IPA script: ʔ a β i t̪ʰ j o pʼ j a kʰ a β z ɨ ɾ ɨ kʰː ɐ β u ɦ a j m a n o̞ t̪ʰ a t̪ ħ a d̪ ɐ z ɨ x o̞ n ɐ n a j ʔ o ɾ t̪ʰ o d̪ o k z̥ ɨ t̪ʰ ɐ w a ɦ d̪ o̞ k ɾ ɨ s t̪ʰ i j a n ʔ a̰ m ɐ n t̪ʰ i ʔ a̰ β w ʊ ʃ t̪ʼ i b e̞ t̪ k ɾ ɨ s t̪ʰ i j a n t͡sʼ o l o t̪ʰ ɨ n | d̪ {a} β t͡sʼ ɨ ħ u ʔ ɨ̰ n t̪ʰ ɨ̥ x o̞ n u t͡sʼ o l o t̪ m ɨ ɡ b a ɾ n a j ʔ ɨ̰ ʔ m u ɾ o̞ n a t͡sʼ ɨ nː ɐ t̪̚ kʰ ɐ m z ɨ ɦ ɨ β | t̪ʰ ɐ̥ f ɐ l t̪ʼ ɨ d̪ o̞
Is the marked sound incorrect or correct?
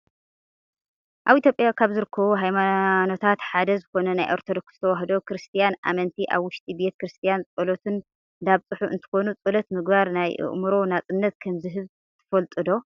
correct